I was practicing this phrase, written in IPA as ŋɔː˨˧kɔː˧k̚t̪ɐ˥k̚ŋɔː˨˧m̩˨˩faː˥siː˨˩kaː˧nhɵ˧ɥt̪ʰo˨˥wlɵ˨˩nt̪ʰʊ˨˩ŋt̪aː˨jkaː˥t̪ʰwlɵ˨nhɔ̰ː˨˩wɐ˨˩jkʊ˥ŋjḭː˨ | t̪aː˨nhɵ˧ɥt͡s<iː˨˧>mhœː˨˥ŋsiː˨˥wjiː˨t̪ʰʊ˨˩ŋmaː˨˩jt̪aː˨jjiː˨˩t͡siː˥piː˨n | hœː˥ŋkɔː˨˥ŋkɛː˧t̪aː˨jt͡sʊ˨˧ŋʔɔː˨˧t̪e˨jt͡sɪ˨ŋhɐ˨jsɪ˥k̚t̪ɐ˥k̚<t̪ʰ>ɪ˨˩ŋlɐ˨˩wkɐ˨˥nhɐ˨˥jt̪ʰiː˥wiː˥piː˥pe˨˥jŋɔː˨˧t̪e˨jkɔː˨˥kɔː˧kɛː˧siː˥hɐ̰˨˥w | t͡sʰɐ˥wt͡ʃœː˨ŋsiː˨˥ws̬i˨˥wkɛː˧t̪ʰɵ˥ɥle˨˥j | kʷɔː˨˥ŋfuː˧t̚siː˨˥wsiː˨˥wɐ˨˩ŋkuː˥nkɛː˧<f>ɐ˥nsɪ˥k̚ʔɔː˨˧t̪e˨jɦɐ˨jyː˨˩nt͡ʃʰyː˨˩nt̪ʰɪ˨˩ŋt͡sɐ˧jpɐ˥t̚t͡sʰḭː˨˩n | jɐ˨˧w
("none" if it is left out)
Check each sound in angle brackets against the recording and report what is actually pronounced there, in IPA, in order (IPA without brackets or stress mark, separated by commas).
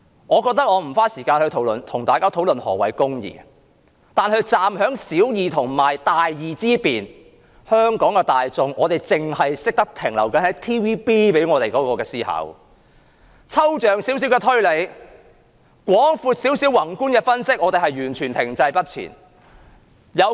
aː˨˧, t̪ʰ, f